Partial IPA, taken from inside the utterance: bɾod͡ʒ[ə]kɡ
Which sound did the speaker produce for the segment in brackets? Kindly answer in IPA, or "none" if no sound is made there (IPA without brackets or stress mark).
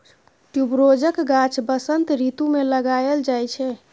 ə